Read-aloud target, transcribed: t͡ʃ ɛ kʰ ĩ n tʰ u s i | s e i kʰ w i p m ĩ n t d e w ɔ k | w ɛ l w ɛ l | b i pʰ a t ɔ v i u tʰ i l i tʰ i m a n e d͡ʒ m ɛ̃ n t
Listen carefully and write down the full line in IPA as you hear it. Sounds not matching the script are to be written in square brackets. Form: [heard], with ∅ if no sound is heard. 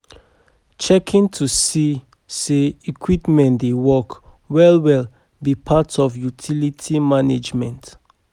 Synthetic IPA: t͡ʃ ɛ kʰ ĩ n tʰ u s i | s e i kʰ w i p m [ɛ̃] n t d e w ɔ k | w ɛ l w ɛ l | b i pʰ a t ɔ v [j] u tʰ i l i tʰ i m a n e d͡ʒ m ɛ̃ n t